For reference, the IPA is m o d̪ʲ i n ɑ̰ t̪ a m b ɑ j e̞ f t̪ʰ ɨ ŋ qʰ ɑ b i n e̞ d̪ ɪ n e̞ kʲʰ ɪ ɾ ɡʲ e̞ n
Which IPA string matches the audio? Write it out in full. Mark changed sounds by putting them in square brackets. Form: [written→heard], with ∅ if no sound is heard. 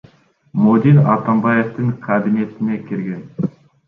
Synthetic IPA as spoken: m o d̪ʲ i n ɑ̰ t̪ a m b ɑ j e̞ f [t̪ʰ→t̪] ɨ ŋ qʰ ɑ b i n e̞ [d̪→t̪] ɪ n e̞ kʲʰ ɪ ɾ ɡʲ e̞ n